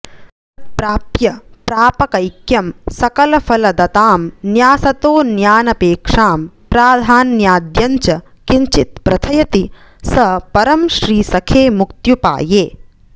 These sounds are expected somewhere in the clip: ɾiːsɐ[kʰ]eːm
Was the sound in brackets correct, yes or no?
yes